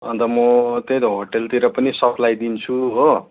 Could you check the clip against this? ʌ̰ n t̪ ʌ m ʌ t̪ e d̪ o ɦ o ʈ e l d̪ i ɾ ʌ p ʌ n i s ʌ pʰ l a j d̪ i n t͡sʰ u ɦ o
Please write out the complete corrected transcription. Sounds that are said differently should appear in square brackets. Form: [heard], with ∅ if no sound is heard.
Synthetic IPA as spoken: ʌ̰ n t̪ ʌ m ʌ t̪ e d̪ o ɦ o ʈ e l [t̪] i ɾ ʌ p ʌ n i s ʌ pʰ l a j d̪ i n t͡sʰ u ɦ o